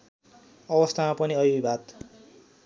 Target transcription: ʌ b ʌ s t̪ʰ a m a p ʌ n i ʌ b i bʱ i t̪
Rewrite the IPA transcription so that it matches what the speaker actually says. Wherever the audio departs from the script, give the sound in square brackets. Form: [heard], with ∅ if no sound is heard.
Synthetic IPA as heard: ʌ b ʌ s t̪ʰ a m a p ʌ n i ʌ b i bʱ [a] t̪